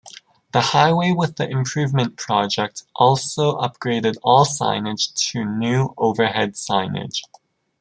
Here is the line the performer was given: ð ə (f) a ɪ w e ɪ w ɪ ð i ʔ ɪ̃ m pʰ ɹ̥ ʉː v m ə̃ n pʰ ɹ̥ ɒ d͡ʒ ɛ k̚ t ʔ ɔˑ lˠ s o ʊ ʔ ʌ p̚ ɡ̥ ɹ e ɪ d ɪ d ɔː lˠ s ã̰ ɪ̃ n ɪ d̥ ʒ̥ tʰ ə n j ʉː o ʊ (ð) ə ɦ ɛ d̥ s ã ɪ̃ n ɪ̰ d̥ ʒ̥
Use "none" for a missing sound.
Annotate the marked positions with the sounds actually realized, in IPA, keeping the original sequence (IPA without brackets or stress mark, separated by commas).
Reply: h, v